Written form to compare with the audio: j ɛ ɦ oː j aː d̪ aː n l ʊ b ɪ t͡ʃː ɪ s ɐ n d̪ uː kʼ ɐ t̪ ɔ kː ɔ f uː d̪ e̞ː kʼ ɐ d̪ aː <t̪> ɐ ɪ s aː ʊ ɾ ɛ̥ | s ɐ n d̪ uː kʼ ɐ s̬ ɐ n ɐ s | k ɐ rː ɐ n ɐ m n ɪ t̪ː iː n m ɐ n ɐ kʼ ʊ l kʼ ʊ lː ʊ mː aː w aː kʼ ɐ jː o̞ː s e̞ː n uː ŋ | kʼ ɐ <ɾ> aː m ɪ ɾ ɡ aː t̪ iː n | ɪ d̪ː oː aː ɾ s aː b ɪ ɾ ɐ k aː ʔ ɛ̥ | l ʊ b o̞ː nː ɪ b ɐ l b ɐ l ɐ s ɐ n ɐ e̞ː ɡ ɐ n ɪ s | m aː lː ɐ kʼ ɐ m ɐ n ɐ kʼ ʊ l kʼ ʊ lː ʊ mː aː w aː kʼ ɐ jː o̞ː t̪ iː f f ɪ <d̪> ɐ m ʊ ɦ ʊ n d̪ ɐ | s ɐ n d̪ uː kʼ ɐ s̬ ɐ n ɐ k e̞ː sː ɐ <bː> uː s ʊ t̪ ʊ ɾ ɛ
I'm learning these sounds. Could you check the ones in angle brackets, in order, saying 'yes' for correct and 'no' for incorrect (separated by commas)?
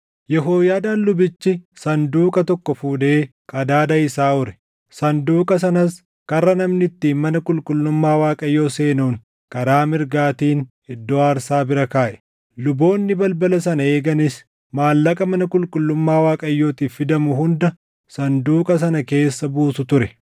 no, yes, yes, no